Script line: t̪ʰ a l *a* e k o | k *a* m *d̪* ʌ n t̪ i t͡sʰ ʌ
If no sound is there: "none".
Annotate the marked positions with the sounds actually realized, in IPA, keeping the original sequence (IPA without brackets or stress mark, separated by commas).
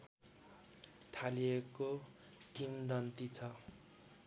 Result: i, i, d̪